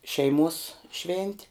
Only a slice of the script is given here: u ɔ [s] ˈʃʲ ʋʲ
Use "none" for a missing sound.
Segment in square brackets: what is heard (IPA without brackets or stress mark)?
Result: s